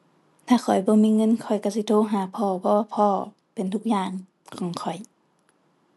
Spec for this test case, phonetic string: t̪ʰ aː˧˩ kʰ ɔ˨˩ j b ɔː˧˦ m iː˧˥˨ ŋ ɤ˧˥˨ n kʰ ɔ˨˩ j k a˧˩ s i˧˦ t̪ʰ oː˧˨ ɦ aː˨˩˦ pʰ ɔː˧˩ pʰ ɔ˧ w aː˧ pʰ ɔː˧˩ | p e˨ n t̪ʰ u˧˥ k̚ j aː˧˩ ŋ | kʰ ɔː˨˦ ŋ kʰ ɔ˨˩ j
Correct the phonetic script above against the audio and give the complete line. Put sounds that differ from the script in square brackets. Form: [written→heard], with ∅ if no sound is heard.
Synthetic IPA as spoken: t̪ʰ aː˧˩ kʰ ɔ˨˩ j b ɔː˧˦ m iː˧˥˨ ŋ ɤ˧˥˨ n kʰ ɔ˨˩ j k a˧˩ s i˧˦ t̪ʰ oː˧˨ ɦ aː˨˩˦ pʰ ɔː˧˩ pʰ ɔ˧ w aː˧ pʰ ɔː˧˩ | p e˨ n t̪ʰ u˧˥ k̚ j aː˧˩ ŋ | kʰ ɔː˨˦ ŋ kʰ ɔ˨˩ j